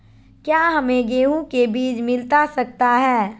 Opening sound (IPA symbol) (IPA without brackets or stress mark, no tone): k